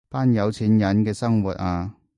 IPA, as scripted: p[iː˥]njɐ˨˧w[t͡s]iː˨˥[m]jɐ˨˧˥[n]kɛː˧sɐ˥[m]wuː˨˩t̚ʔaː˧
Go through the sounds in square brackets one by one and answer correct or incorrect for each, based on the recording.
incorrect: aː˥, incorrect: t͡sʰ, incorrect: n, correct, incorrect: ŋ

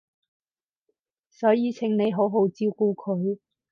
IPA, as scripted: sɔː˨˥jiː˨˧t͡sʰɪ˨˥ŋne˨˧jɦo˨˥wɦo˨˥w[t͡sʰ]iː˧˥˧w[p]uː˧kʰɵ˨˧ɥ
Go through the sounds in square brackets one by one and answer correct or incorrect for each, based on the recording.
incorrect: t͡s, incorrect: k

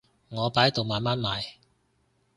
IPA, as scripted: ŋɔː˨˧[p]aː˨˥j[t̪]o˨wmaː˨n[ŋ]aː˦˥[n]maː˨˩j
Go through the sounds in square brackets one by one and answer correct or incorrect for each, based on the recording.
correct, correct, incorrect: m, correct

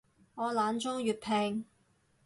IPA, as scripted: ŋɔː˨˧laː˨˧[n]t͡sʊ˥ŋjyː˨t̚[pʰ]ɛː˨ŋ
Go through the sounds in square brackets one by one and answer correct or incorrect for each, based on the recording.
correct, correct

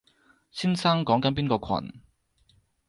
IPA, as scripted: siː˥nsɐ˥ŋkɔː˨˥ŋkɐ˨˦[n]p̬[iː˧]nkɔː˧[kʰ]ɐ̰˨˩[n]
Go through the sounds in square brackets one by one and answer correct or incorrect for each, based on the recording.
correct, incorrect: iː˥, correct, correct

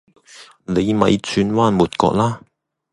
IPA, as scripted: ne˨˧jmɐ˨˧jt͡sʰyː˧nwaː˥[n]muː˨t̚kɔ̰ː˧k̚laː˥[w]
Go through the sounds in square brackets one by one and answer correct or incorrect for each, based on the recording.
correct, incorrect: none

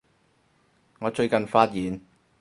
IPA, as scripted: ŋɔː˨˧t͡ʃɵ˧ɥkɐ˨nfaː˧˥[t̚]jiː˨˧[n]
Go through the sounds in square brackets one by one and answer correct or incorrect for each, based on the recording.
correct, correct

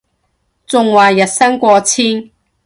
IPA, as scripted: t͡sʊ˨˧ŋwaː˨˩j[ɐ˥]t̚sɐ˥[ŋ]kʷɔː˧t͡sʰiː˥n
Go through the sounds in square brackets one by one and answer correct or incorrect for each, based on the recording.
incorrect: ɐ˨, correct

